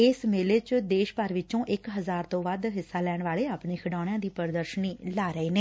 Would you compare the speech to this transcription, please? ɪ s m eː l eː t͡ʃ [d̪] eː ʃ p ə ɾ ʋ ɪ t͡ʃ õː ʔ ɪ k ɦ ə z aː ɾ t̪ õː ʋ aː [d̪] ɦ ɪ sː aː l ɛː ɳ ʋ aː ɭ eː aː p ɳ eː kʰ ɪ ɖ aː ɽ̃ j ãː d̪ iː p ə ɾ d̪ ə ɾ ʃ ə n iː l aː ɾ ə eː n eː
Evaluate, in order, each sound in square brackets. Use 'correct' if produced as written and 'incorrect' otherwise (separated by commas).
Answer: correct, correct